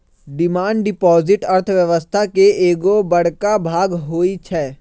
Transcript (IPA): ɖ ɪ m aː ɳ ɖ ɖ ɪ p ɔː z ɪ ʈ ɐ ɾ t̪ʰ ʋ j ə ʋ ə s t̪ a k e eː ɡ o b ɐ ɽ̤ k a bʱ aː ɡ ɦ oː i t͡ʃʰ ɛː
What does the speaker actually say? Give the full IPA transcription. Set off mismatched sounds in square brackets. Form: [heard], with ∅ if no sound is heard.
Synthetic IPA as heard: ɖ ɪ m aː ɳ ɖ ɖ ɪ p ɔː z ɪ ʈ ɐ ɾ t̪ʰ ʋ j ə ʋ ə s [t̪ʰ] a k e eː ɡ o b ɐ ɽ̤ k a bʱ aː ɡ ɦ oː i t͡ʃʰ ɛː